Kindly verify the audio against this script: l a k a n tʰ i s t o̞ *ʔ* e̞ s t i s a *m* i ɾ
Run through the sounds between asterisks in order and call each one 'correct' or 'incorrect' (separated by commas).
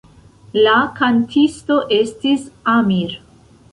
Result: correct, correct